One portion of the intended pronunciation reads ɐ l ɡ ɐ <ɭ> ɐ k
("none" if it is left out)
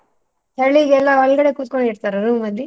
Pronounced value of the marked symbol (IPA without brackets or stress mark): ɽ